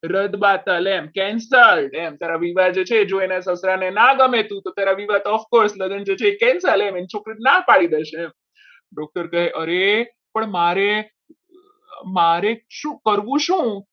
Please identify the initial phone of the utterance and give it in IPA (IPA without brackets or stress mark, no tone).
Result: ɾ